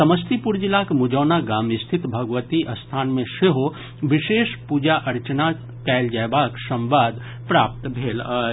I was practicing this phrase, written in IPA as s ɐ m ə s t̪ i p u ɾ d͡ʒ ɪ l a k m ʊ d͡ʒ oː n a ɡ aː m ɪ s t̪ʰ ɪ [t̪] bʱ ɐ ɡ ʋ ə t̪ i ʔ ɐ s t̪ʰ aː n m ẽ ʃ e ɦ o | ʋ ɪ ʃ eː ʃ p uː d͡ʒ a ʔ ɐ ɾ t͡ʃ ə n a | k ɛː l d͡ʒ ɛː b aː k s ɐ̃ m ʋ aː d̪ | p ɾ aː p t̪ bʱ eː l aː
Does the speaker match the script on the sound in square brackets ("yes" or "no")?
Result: yes